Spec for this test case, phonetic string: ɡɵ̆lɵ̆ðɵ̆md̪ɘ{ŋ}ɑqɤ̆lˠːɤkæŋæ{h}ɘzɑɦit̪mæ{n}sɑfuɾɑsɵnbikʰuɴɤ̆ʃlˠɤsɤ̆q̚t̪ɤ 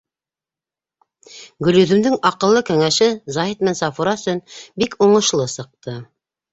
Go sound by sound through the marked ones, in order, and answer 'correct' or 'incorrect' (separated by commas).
correct, incorrect, correct